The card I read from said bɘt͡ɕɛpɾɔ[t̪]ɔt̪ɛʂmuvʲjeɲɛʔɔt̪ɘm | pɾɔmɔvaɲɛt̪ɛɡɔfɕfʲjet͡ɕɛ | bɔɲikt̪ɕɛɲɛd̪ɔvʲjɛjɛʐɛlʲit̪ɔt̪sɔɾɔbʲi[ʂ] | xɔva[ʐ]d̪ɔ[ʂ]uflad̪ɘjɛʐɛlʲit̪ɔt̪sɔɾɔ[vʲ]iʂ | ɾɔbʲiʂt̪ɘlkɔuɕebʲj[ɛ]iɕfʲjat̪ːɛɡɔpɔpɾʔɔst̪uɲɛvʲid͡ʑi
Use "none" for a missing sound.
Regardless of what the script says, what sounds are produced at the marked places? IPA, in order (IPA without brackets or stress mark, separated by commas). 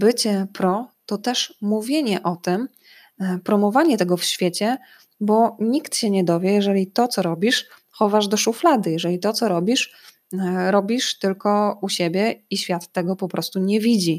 t̪, ʂ, ʐ, ʂ, bʲ, ɛ